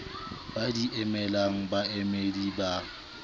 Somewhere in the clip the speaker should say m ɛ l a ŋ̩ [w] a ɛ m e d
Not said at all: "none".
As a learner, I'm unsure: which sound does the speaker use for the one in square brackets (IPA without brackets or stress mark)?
b